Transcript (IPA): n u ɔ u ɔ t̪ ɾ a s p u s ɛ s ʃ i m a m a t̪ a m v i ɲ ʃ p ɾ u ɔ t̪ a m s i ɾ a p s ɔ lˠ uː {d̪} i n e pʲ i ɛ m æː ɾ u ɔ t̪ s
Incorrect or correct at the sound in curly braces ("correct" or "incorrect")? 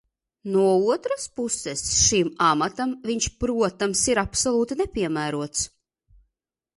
incorrect